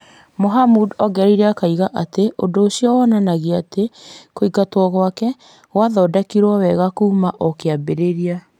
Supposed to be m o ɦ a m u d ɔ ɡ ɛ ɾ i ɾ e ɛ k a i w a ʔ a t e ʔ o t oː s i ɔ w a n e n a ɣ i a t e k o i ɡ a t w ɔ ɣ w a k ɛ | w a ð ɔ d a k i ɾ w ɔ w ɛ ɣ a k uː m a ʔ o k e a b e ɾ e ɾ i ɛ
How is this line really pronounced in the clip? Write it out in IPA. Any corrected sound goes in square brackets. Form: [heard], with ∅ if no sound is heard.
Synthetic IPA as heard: m o ɦ a m u d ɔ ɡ ɛ ɾ i ɾ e [a] k a i [ɣ] a ʔ a t e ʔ o [d] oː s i ɔ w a n [a] n a ɣ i a t e k o i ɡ a t w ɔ ɣ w a k ɛ | w a ð ɔ d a k i ɾ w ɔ w ɛ ɣ a k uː m a ʔ o k e a b e ɾ e ɾ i [a]

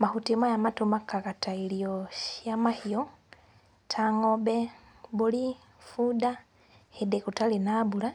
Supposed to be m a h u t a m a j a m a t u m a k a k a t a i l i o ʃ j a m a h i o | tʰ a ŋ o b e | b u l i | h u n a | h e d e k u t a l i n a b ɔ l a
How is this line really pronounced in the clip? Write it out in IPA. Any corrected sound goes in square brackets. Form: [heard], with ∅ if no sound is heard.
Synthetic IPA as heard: m a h u t [i] m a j a m a t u m a k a k a t a i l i o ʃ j a m a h i o | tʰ a ŋ o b e | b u l i | [f] u [d] a | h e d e k u t a l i n a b [u] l a

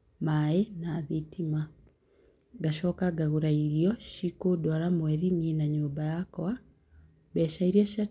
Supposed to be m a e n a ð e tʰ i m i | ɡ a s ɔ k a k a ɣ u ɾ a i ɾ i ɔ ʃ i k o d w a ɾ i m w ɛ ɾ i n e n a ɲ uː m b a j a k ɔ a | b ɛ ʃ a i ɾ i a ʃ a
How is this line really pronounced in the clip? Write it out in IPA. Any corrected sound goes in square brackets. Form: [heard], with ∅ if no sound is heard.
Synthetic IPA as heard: m a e n a ð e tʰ i m [a] | ɡ a [ʃ] ɔ k a [ɡ] a ɣ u ɾ a i ɾ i ɔ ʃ i k o d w a ɾ [a] m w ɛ ɾ i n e n a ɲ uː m b a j a k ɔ a | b ɛ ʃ a i ɾ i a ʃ a

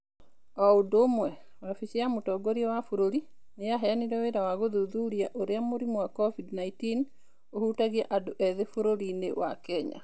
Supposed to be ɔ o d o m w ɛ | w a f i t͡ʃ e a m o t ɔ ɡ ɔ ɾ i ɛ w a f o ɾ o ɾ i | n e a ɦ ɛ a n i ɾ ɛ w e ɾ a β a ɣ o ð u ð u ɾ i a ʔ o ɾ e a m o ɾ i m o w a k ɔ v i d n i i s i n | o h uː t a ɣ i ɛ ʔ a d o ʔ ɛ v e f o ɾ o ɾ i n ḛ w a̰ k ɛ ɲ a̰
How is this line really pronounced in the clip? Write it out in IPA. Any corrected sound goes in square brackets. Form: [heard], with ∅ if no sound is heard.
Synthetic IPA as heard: ɔ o d o m w ɛ | w a f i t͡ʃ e a m o t ɔ ɡ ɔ ɾ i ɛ w a f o ɾ o ɾ i | n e a ɦ ɛ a n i ɾ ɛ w e ɾ a [w] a ɣ o ð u ð u ɾ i a ʔ o ɾ e a m o ɾ i m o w a k ɔ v i d n [a] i [t] i n | o h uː t a ɣ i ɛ ʔ a d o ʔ ɛ [ð] e f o ɾ o ɾ i n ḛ w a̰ k ɛ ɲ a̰

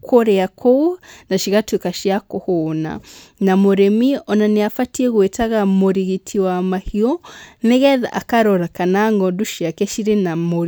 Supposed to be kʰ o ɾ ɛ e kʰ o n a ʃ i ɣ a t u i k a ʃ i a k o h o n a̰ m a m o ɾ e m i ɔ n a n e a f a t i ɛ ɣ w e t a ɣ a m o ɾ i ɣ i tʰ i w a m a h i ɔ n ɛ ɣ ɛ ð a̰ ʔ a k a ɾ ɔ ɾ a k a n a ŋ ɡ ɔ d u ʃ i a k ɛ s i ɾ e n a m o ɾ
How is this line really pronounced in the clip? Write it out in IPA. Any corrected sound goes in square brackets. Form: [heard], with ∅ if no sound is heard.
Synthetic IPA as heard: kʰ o ɾ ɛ [a] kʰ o n a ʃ i ɣ a t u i k a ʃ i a k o h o n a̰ [n] a m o ɾ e m i ɔ n a n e a f a t i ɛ ɣ w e t a ɣ a m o ɾ i ɣ i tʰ i w a m a h i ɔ n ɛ ɣ ɛ ð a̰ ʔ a k a ɾ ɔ ɾ a k a n a ŋ ɡ ɔ d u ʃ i a k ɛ [ʃ] i ɾ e n a m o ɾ

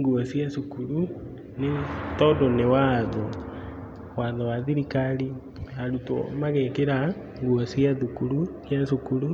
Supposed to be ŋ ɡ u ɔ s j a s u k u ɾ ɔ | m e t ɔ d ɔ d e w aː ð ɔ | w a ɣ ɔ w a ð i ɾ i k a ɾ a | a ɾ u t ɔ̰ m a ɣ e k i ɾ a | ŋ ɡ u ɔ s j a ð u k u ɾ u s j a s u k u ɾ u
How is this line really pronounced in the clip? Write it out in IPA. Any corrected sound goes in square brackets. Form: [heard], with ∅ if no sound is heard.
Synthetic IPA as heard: ŋ ɡ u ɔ s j a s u k u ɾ [u] | [n] e t ɔ d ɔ [n] e w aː ð ɔ | w a [ð] ɔ w a ð i ɾ i k a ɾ [i] | a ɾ u t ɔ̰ m a ɣ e k [e] ɾ a | ŋ ɡ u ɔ s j a ð u k u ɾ u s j a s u k u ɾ u

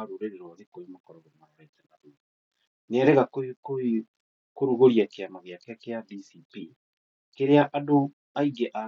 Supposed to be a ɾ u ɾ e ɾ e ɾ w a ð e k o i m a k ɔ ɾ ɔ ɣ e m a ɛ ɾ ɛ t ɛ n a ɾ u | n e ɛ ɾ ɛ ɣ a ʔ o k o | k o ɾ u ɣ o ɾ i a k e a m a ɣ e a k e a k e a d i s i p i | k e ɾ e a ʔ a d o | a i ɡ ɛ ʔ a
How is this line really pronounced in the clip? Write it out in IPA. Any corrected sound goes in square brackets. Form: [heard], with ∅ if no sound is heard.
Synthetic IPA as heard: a ɾ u ɾ e ɾ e ɾ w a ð e k o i m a k ɔ ɾ ɔ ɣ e m a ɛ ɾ ɛ t ɛ n a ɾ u | n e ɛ ɾ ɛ ɣ a [k] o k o | k o ɾ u ɣ o ɾ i a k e a m a ɣ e a k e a k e a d i s i p i | k e ɾ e a ʔ a d o | a i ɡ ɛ ʔ a

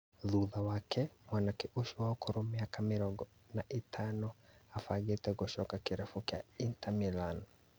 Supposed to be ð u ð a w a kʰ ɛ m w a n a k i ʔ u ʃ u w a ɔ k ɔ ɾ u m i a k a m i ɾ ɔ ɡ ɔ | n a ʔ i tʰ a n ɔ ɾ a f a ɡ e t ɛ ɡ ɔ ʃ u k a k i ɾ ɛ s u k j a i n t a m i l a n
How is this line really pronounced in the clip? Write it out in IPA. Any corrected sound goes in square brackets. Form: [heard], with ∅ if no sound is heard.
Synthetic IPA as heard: ð u ð a w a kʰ ɛ m w a n a k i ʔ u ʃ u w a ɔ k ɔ ɾ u m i a k a m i ɾ ɔ ɡ ɔ | n a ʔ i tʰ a n ɔ [∅] a f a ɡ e t ɛ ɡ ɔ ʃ [ɔ] k a k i ɾ ɛ [f] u k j a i n t a m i l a n

